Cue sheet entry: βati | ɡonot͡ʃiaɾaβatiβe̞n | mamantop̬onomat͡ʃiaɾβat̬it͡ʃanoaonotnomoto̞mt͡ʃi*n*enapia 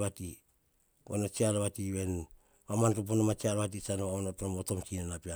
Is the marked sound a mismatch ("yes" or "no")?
no